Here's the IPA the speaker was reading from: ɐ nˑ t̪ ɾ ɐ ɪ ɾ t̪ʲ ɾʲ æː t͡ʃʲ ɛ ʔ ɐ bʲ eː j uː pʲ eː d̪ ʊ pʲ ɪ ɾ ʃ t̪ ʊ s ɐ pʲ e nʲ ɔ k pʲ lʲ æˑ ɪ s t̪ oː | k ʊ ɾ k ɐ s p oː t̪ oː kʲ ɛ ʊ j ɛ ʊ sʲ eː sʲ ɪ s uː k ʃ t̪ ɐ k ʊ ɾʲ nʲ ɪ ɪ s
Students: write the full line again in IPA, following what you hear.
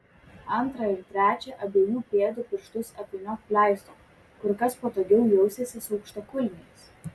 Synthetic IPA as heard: ɐ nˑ t̪ ɾ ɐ ɪ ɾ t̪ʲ ɾʲ æː t͡ʃʲ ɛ ʔ ɐ bʲ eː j uː pʲ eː d̪ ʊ pʲ ɪ ɾ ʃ t̪ ʊ s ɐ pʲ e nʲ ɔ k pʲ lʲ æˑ ɪ s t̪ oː | k ʊ ɾ k ɐ s p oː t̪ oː ɡʲ ɛ ʊ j ɛ ʊ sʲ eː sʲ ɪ s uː k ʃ t̪ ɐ k ʊ lʲ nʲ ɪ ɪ s